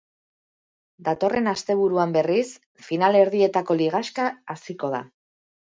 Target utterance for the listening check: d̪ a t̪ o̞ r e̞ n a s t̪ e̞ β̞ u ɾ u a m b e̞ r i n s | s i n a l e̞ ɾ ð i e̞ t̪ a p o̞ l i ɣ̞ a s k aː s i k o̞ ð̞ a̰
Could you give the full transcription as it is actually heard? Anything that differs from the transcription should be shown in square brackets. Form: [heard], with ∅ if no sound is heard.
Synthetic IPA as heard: d̪ a t̪ o̞ r e̞ n a s t̪ e̞ β̞ u ɾ u a m b e̞ r i [∅] s | [f] i n a l e̞ ɾ ð i e̞ t̪ a [k] o̞ l i ɣ̞ a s k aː s i k o̞ ð̞ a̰